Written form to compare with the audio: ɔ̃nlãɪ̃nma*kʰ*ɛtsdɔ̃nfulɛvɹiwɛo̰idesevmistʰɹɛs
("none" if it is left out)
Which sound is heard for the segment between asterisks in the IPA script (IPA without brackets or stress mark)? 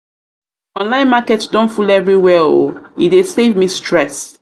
k